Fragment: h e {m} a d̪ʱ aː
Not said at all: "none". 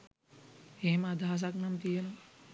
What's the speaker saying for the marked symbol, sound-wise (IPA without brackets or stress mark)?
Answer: m